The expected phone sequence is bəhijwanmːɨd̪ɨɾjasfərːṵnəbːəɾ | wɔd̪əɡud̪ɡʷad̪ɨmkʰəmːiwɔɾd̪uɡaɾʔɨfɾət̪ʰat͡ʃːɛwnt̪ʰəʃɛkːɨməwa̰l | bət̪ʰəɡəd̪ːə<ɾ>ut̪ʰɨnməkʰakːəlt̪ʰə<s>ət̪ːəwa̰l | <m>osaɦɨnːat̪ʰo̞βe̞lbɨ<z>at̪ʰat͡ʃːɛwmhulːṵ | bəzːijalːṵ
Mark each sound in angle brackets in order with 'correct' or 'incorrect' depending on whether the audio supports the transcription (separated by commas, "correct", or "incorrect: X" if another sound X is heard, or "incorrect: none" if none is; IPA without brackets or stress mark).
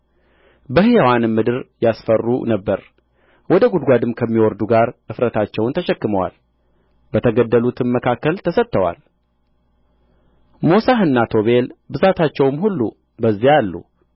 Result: incorrect: l, correct, correct, correct